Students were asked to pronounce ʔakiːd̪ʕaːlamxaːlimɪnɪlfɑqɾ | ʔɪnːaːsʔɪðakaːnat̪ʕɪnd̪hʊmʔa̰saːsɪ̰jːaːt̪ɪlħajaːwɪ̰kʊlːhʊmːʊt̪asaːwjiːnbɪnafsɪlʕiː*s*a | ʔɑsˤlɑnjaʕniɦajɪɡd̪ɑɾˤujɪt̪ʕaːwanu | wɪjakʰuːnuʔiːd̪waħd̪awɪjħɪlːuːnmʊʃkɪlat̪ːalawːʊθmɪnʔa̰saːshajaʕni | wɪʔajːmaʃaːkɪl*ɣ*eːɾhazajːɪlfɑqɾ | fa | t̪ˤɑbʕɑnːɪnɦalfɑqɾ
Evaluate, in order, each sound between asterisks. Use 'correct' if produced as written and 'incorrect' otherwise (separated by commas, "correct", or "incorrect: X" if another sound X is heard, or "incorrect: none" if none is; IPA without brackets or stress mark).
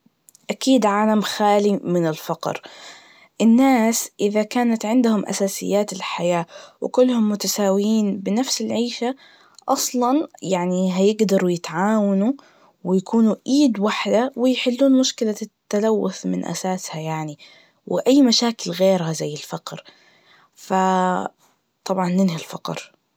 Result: incorrect: ʃ, correct